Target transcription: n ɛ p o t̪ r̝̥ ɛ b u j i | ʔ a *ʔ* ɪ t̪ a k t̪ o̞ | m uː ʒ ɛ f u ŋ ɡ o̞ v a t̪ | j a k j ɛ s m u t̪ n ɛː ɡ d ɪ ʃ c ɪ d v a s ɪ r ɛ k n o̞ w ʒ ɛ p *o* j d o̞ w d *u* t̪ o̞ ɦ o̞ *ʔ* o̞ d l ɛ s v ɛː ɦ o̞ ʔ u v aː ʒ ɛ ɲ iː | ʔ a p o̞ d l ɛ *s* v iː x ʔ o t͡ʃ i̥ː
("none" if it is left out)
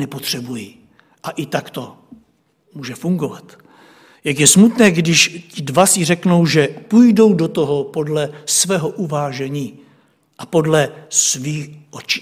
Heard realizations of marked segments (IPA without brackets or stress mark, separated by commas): ʔ, u, o, p, s